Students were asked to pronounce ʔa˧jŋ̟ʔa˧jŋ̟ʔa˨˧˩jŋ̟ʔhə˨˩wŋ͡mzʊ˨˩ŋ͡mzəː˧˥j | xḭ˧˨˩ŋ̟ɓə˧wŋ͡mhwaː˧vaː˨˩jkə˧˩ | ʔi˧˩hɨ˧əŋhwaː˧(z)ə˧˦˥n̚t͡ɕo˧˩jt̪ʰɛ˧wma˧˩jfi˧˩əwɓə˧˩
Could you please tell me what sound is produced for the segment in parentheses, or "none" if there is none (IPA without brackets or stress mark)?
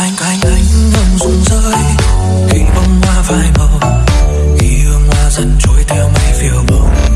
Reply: z